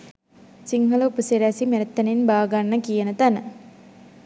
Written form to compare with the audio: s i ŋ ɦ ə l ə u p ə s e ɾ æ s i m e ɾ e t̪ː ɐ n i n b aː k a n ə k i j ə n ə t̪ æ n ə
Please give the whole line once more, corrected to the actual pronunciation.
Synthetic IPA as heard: s i ŋ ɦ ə l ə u p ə s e ɾ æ s i m e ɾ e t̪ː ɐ n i n b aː ɡ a nː ə k i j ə n ə t̪ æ n ə